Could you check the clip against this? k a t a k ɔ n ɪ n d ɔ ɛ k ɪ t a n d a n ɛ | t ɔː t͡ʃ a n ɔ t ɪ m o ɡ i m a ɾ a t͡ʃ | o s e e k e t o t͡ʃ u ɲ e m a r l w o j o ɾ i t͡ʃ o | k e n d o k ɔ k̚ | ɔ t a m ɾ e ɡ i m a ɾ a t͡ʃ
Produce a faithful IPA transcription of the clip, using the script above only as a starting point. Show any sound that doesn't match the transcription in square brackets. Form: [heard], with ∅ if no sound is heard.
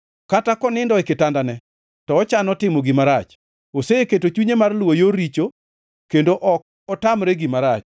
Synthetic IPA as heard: k a t a k ɔ n ɪ n d ɔ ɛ k ɪ t a n d a n ɛ | t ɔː t͡ʃ a n ɔ t ɪ m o ɡ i m a ɾ a t͡ʃ | o s e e k e t o t͡ʃ u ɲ e m a r l w o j o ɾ i t͡ʃ o | k e n d o [ʔ] ɔ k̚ | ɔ t a m ɾ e ɡ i m a ɾ a t͡ʃ